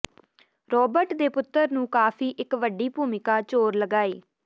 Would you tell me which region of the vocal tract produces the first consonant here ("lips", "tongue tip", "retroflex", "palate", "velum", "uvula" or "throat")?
tongue tip